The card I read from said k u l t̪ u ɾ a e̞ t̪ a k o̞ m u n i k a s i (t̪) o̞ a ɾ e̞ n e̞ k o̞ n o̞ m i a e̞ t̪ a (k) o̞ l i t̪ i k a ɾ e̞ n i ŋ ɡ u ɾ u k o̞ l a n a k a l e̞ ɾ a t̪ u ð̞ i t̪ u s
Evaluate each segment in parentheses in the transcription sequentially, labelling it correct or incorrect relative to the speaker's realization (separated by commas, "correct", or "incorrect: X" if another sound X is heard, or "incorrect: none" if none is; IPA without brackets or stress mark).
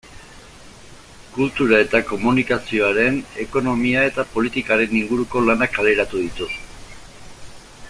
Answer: incorrect: none, incorrect: p